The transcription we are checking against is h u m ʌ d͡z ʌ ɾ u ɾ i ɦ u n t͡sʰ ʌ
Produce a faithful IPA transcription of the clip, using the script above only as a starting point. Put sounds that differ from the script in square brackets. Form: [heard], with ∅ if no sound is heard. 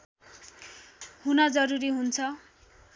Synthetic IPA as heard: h u [n] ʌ d͡z ʌ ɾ u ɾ i ɦ u n t͡sʰ ʌ